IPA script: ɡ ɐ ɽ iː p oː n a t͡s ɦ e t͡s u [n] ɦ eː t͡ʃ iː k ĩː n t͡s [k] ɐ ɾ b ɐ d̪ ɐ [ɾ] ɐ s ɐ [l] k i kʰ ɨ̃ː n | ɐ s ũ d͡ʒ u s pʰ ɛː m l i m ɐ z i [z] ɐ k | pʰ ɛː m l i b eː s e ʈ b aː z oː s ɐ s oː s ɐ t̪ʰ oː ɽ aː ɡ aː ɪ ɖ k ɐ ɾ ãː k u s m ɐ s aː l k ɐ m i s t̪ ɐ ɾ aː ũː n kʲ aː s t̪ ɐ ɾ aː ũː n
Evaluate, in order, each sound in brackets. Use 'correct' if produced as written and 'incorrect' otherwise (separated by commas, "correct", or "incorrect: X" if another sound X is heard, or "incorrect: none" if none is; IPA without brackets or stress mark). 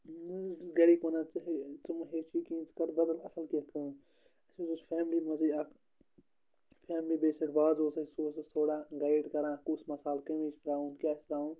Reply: incorrect: m, correct, incorrect: l, correct, incorrect: none